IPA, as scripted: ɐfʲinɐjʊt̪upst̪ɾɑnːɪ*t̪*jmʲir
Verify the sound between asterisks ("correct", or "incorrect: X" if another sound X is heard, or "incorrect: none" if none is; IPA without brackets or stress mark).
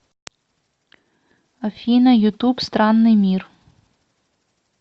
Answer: incorrect: none